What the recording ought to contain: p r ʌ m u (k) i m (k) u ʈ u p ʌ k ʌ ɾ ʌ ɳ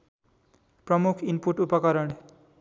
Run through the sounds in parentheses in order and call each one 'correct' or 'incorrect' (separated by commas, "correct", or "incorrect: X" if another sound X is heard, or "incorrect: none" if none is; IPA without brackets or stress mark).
incorrect: kʰ, incorrect: p